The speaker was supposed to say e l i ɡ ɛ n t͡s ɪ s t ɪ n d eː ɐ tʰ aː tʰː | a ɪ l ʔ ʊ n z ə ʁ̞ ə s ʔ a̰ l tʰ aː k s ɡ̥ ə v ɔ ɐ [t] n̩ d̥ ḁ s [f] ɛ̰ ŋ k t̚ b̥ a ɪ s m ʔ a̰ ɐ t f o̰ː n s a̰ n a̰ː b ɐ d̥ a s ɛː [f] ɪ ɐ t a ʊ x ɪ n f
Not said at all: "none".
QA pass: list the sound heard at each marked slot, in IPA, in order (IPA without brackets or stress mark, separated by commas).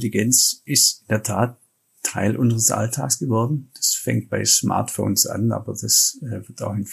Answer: d, f, v